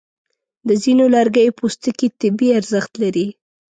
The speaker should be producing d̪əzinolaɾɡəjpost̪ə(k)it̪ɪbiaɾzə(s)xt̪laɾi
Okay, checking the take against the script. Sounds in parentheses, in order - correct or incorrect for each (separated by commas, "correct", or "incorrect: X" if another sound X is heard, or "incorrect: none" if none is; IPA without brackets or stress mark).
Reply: correct, incorrect: none